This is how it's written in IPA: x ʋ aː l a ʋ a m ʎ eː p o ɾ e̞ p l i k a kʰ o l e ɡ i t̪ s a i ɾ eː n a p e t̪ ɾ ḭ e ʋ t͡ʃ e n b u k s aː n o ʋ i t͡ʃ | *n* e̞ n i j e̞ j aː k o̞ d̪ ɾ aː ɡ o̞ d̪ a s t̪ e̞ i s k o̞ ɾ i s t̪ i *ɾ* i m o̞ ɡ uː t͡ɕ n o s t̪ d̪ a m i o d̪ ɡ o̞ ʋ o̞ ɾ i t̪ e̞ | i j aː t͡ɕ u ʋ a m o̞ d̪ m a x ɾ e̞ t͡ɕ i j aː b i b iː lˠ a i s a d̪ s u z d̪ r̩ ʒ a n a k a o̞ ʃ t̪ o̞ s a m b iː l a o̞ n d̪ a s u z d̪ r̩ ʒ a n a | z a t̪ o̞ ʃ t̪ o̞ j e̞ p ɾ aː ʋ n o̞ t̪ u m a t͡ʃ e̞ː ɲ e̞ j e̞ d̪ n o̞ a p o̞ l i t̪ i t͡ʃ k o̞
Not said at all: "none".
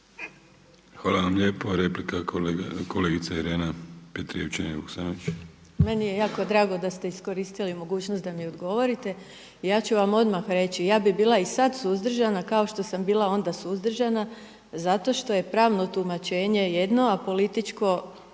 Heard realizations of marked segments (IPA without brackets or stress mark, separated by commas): m, l